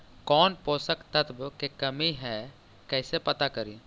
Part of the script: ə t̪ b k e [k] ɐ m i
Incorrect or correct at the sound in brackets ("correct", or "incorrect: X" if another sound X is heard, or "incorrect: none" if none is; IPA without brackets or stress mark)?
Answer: correct